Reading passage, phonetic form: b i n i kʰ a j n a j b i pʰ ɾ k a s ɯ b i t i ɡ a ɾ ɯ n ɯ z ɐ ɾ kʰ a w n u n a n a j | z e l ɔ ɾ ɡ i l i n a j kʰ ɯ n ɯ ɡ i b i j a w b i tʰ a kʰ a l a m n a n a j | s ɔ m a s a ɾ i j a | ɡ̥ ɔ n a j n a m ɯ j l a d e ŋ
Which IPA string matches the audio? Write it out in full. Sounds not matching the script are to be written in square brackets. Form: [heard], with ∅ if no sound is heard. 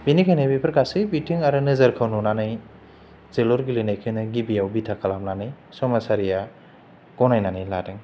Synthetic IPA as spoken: b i n i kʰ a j n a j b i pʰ ɾ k a s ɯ b i t i [ŋ] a ɾ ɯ n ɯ z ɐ ɾ kʰ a w n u n a n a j | z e l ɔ ɾ ɡ i l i n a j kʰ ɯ n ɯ ɡ i b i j a w b i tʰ a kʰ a l a m n a n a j | s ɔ m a s a ɾ i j a | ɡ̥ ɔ n a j n a [n] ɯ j l a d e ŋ